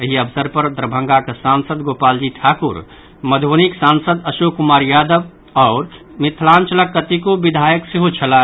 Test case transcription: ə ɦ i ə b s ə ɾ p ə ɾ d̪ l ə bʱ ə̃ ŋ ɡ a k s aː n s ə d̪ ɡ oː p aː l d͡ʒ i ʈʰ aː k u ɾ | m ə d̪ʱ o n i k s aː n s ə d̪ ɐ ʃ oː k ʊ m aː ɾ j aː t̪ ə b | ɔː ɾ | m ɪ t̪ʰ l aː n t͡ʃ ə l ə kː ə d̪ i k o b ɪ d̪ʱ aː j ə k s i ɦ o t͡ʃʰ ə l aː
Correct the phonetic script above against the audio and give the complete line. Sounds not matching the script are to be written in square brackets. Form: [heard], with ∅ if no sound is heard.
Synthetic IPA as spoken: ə ɦ i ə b s ə ɾ p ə ɾ d̪ [ɾ] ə bʱ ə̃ ŋ ɡ a k s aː n s ə d̪ ɡ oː p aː l d͡ʒ i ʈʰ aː k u ɾ | m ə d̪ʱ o n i k s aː n s ə d̪ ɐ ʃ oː k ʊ m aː ɾ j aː [d̪] ə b | ɔː ɾ | m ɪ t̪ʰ l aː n t͡ʃ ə l ə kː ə [t̪] i k o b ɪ d̪ʱ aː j ə k s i ɦ o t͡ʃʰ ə l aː